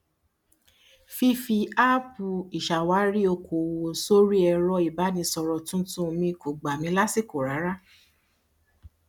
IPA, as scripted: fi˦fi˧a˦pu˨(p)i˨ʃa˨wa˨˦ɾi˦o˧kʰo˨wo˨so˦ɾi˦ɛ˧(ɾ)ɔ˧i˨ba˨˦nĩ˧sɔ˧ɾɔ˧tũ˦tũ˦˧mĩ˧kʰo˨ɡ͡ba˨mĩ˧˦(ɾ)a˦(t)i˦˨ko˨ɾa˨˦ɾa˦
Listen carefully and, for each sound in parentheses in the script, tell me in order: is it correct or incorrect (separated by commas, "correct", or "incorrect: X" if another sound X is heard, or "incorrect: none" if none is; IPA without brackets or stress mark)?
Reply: incorrect: none, correct, incorrect: l, incorrect: s